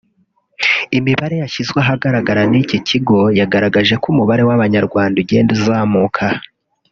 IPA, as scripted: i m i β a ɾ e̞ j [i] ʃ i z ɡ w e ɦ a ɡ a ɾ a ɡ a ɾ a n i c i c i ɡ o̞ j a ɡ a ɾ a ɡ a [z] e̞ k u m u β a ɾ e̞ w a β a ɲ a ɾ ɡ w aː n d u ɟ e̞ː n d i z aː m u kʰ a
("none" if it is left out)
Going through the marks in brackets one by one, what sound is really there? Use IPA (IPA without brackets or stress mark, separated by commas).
a, ʒ